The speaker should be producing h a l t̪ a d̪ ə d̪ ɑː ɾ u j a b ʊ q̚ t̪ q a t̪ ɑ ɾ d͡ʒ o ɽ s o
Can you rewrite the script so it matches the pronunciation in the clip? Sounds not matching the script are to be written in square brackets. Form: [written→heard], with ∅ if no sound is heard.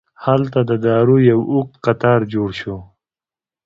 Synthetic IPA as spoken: h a l t̪ a d̪ ə d̪ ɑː ɾ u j a [b→w] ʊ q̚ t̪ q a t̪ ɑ ɾ d͡ʒ o ɽ [s→ʃ] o